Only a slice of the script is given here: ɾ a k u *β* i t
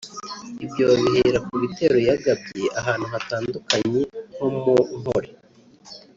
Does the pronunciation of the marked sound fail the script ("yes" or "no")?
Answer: no